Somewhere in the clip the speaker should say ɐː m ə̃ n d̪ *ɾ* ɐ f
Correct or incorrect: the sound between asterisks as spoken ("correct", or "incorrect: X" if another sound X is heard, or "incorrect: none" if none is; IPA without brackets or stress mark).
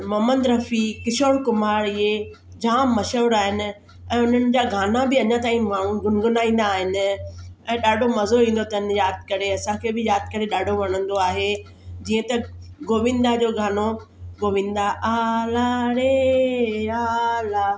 correct